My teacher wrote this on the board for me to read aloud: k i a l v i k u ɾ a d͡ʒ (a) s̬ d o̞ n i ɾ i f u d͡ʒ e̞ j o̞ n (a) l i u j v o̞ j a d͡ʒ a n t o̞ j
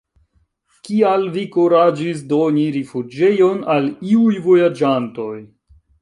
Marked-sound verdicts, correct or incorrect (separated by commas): incorrect, correct